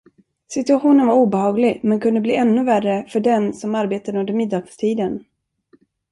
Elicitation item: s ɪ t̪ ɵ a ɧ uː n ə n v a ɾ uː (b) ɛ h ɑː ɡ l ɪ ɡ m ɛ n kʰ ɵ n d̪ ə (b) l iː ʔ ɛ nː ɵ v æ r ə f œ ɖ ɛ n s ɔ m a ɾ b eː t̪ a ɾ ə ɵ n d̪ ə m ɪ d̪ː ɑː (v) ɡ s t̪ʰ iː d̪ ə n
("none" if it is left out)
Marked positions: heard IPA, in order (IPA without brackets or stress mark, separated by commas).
b, b, none